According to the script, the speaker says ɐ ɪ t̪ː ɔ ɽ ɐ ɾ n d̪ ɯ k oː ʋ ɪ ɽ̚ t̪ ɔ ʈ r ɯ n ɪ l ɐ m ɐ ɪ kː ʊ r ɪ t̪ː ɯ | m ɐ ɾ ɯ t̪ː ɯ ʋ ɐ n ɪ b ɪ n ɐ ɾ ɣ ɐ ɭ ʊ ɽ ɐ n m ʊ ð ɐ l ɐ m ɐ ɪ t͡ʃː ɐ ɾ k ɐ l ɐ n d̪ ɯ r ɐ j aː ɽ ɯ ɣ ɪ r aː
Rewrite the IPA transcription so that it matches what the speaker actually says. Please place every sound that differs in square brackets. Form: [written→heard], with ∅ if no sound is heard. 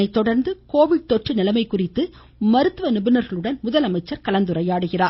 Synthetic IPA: ɐ ɪ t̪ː ɔ ɽ ɐ ɾ n d̪ ɯ k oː ʋ ɪ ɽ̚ t̪ ɔ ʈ r ɯ n ɪ l ɐ m ɐ ɪ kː ʊ r ɪ t̪ː ɯ | m ɐ ɾ ɯ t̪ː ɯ ʋ ɐ n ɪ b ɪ n ɐ ɾ ɣ ɐ ɭ [ʊ→ɯ] ɽ ɐ n m ʊ ð ɐ l ɐ m ɐ ɪ t͡ʃː ɐ ɾ k ɐ l ɐ n d̪ ɯ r ɐ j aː ɽ ɯ ɣ ɪ r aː